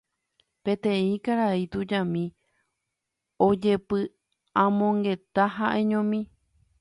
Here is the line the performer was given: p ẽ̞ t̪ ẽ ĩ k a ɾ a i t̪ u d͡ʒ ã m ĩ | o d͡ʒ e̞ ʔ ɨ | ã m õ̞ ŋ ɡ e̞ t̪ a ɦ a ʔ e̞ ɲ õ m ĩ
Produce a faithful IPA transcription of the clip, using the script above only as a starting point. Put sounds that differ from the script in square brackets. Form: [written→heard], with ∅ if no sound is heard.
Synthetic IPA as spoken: p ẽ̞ t̪ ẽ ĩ k a ɾ a i t̪ u d͡ʒ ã m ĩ | o d͡ʒ e̞ [ʔ→p] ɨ | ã m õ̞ ŋ ɡ e̞ t̪ a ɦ a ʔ e̞ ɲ õ m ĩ